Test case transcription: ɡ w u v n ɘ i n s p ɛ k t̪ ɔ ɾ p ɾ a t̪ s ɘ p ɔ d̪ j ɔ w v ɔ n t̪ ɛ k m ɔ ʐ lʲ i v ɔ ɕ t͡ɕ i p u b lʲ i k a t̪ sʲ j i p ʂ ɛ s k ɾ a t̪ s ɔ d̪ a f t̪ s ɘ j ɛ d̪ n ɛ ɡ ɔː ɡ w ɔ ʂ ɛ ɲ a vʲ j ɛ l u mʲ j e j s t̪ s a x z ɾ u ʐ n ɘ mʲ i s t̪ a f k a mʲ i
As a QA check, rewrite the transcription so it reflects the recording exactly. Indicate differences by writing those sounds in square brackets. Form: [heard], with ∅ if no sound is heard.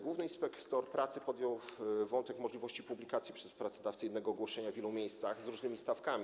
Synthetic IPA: ɡ w u v n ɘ i n s p ɛ k t̪ ɔ ɾ p ɾ a t̪ s ɘ p ɔ d̪ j ɔ w v ɔ n t̪ ɛ k m ɔ ʐ lʲ i v ɔ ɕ t͡ɕ i p u b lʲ i k a t̪ sʲ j i p ʂ ɛ s [p] ɾ a t̪ s ɔ d̪ a f t̪ s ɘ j ɛ d̪ n ɛ ɡ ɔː ɡ w ɔ ʂ ɛ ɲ a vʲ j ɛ l u mʲ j e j s t̪ s a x z ɾ u ʐ n ɘ mʲ i s t̪ a f k a mʲ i